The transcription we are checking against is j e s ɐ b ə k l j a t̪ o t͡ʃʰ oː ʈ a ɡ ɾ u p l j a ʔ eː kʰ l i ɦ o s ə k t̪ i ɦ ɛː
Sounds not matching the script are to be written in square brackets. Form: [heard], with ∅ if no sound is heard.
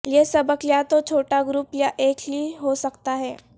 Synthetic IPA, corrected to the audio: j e s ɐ b ə k l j a t̪ o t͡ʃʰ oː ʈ a ɡ ɾ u p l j a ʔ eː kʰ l i ɦ o s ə k t̪ [a] ɦ ɛː

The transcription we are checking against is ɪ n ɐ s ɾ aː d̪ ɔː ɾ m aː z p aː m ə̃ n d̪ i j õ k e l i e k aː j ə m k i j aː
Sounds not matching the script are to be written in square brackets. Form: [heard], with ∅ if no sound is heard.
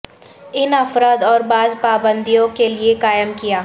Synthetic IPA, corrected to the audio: ɪ n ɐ [f] ɾ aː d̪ ɔː ɾ [b] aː z p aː [b] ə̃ n d̪ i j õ k e l i e k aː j ə m k i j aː

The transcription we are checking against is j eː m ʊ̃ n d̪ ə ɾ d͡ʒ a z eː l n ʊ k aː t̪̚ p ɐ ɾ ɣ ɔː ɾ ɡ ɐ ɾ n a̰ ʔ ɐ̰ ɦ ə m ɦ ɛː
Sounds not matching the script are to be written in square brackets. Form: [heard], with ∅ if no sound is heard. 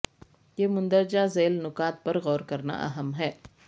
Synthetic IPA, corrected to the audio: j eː m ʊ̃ n d̪ ə ɾ d͡ʒ a z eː l n ʊ k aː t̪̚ p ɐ ɾ ɣ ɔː ɾ [k] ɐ ɾ n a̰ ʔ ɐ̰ ɦ ə m ɦ ɛː

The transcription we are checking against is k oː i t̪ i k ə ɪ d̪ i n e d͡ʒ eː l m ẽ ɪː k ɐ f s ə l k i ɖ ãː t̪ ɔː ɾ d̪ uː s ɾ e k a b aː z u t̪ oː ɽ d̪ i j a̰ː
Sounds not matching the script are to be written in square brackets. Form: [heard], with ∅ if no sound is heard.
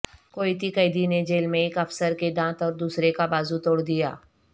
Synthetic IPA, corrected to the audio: k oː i t̪ i k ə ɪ d̪ i n e d͡ʒ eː l m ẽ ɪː k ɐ f s ə [ɾ] k [e] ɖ ãː t̪ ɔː ɾ d̪ uː s ɾ e k a b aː z u t̪ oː ɽ d̪ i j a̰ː

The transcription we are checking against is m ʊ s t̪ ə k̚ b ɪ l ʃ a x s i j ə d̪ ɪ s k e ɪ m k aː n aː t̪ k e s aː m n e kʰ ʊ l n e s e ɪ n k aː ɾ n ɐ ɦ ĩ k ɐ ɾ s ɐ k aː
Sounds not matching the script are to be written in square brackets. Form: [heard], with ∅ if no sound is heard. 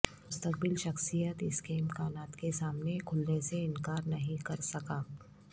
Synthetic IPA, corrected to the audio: m ʊ s t̪ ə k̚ b ɪ l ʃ [ɐ] x s i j ə [t̪] ɪ s k e ɪ m k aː n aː t̪ k e s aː m n e kʰ ʊ l n e s e ɪ n k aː ɾ n ɐ ɦ ĩ k ɐ ɾ s ɐ k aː

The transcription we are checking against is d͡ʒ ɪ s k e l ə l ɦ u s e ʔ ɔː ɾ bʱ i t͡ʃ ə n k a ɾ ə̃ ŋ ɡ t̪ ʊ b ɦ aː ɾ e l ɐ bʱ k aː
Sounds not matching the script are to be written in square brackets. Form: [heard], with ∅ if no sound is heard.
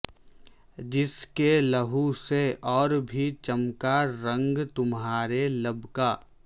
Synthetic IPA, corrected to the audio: d͡ʒ ɪ s k e l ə [∅] ɦ u s e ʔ ɔː ɾ bʱ i t͡ʃ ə [m] k a ɾ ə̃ ŋ ɡ t̪ ʊ [m] ɦ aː ɾ e l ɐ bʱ k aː

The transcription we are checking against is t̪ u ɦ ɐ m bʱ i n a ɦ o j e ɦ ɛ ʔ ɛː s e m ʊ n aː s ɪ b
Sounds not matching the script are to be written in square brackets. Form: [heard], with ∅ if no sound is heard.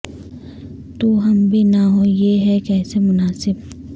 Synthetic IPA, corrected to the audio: t̪ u ɦ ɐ m bʱ i n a ɦ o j e ɦ ɛ [k] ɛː s e m ʊ n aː s ɪ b

